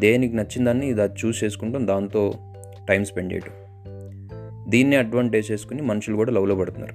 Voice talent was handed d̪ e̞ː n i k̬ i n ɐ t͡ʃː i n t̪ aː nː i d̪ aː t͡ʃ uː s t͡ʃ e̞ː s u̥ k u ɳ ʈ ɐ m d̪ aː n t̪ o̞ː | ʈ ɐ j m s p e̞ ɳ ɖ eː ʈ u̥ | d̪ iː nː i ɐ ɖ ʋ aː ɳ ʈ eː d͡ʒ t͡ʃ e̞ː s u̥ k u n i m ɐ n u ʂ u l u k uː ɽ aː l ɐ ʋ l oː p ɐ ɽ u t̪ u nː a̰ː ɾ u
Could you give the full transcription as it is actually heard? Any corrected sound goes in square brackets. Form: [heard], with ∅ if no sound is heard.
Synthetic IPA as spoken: d̪ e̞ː n i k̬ i n ɐ t͡ʃː i n [d̪] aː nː i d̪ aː t͡ʃ uː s t͡ʃ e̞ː s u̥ k u ɳ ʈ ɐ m d̪ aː n t̪ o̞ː | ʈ ɐ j m s p e̞ ɳ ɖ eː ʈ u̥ | d̪ iː nː i ɐ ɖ ʋ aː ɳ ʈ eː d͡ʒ t͡ʃ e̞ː s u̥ k u n i m ɐ n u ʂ u l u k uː ɽ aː l ɐ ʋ l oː p ɐ ɽ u t̪ u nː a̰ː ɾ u